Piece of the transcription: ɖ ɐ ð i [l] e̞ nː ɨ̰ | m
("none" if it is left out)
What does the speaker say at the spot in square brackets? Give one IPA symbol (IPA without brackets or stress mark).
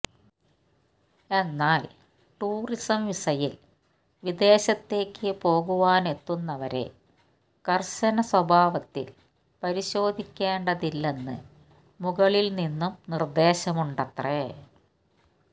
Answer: lː